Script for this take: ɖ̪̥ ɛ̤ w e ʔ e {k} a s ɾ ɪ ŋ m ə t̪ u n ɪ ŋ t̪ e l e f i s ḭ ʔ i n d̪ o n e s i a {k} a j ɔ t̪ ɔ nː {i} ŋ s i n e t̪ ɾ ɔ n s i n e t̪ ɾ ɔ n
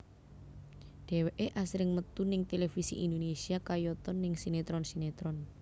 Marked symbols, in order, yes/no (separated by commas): no, yes, no